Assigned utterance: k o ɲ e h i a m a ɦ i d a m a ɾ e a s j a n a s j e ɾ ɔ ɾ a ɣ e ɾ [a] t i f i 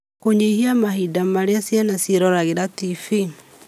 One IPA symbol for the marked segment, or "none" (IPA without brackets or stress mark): a